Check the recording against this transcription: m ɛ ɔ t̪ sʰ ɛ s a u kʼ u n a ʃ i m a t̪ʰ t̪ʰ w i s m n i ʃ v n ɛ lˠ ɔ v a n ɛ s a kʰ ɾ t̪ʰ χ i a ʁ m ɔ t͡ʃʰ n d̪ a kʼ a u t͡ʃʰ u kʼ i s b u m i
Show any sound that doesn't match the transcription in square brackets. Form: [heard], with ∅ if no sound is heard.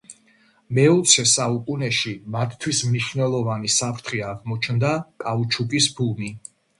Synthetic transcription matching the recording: m ɛ ɔ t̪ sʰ ɛ s a u kʼ u n [ɛ] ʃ i m a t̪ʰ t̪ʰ w i s m n i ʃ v n ɛ lˠ ɔ v a n [i] s a [pʰ] ɾ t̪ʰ χ i a ʁ m ɔ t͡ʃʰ n d̪ a kʼ a u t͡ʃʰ u kʼ i s b u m i